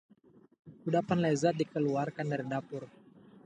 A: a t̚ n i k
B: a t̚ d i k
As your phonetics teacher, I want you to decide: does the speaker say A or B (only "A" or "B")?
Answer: B